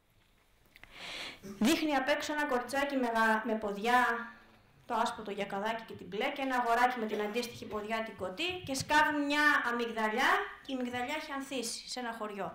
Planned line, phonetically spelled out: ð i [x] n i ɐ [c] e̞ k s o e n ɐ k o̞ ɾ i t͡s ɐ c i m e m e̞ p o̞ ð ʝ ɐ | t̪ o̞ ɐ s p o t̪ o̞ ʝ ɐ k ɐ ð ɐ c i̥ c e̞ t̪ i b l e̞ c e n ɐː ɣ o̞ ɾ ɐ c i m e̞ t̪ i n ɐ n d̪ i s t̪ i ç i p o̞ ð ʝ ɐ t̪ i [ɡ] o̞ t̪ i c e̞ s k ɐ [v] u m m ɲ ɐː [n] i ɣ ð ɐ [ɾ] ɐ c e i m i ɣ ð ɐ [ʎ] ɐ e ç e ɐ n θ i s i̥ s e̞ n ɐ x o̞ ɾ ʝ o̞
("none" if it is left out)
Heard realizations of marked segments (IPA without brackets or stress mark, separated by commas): x, p, ɡ, v, m, ʎ, ʎ